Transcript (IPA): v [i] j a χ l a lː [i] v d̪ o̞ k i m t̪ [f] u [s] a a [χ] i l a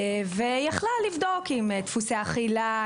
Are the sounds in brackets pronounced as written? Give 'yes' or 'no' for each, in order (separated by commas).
no, yes, yes, yes, yes